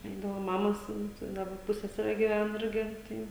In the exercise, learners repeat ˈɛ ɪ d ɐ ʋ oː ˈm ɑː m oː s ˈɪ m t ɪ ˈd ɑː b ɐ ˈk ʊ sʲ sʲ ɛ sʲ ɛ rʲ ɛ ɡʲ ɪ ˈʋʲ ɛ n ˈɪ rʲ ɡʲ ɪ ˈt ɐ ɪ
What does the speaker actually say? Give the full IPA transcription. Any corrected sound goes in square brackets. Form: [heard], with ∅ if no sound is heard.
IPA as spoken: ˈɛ ɪ d ɐ ʋ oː ˈm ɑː m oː s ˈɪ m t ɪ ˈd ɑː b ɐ [ˈp] ʊ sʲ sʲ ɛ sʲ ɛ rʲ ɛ ɡʲ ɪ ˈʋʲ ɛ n ˈɪ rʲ ɡʲ ɪ ˈt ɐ ɪ